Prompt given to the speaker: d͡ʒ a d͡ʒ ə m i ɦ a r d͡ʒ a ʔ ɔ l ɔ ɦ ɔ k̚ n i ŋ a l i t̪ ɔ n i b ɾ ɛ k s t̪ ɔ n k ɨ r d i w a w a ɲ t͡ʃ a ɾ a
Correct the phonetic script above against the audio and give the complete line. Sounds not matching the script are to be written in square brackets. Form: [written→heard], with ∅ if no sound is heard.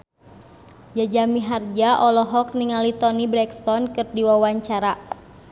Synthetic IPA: d͡ʒ a d͡ʒ [ə→a] m i ɦ a r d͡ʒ a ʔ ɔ l ɔ ɦ ɔ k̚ n i ŋ a l i t̪ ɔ n i b ɾ ɛ k s t̪ ɔ n k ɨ r d i w a w a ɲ t͡ʃ a ɾ a